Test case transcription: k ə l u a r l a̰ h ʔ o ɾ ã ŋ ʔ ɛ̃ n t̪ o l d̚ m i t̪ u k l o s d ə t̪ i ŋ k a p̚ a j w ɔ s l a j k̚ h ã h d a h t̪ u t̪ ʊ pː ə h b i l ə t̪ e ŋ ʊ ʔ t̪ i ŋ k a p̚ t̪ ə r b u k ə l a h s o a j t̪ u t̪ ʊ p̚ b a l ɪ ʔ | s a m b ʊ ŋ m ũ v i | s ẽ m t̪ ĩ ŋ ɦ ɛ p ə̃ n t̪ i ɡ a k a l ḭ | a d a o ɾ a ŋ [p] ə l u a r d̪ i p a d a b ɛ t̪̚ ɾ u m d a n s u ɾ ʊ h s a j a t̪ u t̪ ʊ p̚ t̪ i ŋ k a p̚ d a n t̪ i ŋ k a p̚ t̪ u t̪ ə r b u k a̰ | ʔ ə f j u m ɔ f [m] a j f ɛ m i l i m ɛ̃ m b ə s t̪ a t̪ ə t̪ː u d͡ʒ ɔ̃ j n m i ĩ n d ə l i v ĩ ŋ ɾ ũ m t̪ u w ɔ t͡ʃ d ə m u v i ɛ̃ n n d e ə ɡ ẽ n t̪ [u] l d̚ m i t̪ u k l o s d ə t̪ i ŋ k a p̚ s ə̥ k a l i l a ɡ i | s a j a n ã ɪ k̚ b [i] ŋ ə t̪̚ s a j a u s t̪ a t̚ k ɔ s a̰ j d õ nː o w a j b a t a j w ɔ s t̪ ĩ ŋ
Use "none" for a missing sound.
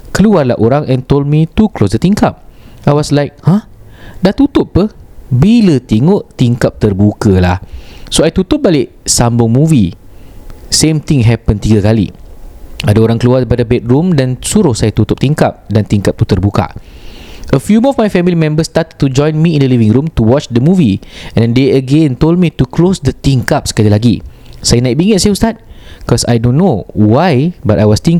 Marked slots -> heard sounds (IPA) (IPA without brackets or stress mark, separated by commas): k, m, o, i